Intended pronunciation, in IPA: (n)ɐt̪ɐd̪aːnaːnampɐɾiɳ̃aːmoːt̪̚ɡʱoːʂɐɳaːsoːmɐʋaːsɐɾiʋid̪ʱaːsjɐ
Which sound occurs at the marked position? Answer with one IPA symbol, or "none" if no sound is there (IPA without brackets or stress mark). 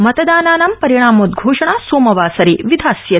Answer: m